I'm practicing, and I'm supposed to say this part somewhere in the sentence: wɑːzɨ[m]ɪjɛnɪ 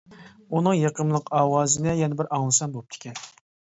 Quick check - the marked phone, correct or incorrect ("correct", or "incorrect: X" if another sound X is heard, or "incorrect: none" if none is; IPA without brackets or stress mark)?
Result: incorrect: n